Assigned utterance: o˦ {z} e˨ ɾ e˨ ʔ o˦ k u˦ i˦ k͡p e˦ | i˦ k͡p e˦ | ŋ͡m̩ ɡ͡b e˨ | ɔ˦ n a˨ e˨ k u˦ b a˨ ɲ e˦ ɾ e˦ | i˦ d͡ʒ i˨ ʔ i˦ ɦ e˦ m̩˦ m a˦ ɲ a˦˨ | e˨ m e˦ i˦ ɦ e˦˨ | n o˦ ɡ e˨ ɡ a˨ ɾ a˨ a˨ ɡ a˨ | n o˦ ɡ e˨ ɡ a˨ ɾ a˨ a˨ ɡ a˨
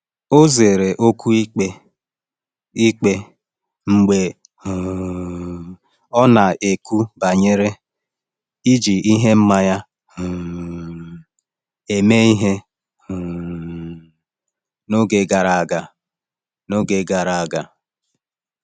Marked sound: correct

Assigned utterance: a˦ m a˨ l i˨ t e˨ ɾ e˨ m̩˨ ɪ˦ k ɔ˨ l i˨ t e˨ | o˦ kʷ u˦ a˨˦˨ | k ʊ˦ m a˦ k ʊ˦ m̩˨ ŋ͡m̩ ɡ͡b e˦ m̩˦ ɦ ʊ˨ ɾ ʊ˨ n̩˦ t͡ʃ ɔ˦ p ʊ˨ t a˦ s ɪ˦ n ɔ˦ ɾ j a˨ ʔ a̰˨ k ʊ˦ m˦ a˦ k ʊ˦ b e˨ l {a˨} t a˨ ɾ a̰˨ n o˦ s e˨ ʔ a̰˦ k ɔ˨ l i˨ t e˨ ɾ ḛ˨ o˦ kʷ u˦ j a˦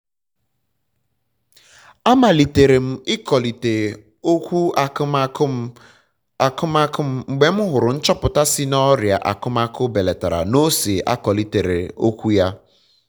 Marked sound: incorrect: e˨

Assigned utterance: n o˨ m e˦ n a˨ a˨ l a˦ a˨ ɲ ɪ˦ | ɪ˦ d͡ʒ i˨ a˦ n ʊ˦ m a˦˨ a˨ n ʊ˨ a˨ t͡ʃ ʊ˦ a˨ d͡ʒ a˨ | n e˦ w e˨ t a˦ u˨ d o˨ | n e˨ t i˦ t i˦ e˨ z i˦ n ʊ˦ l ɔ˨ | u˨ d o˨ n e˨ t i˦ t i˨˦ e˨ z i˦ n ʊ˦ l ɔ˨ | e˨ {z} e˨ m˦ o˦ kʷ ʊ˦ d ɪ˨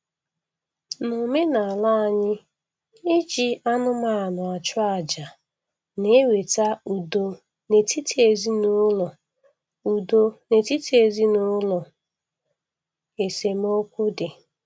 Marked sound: incorrect: s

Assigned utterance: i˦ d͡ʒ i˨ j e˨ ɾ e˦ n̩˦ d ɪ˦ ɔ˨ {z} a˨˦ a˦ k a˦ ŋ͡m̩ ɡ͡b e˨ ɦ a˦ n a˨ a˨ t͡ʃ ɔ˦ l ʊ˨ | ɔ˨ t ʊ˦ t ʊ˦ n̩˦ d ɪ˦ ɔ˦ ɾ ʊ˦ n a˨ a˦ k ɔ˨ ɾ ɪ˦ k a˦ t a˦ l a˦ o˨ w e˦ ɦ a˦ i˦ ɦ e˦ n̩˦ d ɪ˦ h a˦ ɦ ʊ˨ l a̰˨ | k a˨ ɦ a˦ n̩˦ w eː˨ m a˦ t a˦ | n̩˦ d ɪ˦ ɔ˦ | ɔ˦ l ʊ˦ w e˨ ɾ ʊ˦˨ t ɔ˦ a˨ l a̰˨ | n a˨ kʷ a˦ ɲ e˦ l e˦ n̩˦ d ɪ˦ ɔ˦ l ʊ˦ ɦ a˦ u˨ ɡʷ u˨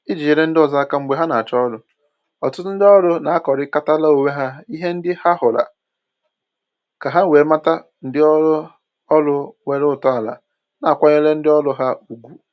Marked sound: correct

